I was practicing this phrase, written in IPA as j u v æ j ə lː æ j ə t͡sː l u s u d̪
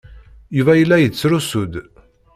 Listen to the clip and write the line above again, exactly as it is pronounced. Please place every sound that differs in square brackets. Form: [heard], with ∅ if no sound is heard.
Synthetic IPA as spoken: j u v æ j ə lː æ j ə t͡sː [ɾ] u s u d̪